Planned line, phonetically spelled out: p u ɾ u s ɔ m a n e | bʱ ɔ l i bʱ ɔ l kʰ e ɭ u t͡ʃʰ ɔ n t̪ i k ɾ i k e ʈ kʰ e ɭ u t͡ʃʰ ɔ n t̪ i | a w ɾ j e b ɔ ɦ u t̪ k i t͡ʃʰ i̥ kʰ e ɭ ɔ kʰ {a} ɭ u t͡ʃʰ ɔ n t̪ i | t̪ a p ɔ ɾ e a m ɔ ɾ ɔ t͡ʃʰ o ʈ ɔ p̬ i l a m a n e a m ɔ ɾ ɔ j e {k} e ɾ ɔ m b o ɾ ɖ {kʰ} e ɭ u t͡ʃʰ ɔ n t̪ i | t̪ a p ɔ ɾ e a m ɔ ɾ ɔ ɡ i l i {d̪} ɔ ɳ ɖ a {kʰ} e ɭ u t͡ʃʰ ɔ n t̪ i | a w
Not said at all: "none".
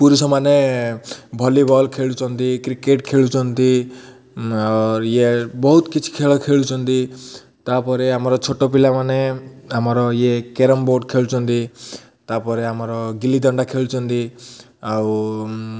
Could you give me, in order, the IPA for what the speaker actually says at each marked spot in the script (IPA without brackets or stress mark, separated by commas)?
e, k, kʰ, d̪, kʰ